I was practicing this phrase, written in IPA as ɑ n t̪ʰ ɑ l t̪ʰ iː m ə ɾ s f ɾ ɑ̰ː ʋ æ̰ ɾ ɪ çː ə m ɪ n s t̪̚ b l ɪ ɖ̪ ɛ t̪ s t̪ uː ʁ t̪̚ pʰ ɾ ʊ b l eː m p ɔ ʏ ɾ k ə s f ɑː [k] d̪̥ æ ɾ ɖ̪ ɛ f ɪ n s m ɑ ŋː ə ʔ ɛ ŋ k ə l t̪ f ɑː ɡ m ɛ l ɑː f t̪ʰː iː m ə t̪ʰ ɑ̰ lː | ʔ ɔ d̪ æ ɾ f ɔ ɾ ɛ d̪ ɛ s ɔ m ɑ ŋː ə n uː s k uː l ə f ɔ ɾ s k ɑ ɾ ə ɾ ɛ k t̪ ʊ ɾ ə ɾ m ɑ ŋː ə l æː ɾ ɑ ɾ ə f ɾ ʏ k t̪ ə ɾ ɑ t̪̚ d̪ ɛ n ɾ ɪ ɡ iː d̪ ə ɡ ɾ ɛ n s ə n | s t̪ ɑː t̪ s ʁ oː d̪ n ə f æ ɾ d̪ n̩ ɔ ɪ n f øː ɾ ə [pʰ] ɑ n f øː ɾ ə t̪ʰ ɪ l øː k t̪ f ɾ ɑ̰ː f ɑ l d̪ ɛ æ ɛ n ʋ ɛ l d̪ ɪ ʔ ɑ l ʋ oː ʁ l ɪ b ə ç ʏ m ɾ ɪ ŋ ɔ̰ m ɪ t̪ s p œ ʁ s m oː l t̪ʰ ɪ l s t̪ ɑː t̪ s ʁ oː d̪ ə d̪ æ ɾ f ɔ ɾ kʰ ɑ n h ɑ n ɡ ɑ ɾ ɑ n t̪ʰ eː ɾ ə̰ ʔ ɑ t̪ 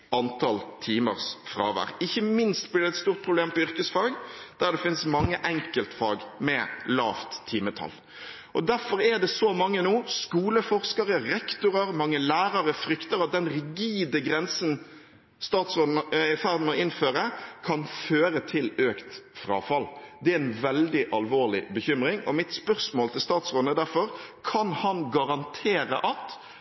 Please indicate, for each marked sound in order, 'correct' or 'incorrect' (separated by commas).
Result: incorrect, incorrect